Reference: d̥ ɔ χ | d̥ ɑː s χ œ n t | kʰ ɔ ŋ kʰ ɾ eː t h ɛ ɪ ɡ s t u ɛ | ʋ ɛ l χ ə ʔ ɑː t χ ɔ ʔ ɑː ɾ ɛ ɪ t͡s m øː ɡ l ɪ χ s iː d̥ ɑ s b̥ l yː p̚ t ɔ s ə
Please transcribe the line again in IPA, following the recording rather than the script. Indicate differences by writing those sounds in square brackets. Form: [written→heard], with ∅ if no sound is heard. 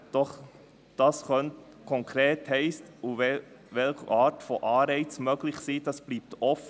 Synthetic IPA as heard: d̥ ɔ χ | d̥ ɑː s χ œ n t | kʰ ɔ ŋ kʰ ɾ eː t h ɛ ɪ [ɡ→∅] s t u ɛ | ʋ ɛ l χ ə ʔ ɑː t [χ→f] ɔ ʔ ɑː ɾ ɛ ɪ t͡s m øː ɡ l ɪ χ s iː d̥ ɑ s b̥ l [yː→iː] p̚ t ɔ [s→f] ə